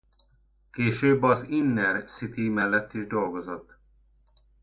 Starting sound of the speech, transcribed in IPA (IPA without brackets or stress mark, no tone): k